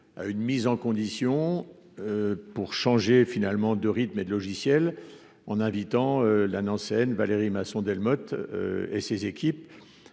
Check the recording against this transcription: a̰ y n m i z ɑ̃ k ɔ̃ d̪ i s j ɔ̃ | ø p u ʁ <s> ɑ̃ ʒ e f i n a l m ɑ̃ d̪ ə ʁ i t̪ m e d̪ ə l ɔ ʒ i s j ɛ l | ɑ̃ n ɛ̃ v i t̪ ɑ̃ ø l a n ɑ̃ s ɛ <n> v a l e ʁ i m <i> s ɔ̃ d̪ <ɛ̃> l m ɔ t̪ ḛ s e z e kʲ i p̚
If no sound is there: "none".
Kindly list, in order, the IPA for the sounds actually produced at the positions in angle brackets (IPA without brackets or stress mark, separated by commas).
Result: ʃ, n, a, ɛ